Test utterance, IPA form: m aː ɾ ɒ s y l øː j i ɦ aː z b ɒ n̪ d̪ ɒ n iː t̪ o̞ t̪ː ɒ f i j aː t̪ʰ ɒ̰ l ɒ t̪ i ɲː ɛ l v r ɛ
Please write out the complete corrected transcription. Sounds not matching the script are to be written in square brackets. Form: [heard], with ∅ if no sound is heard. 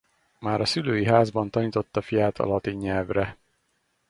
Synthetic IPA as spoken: m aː ɾ ɒ s y l øː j i ɦ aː z b ɒ n̪ [t̪] ɒ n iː t̪ o̞ t̪ː ɒ f i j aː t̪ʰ ɒ̰ l ɒ t̪ i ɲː ɛ l v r ɛ